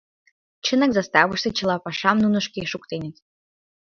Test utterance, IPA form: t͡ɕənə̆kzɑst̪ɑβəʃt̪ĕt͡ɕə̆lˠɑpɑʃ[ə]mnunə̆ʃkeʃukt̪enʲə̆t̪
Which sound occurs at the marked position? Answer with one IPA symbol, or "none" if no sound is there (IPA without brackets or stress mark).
ɑ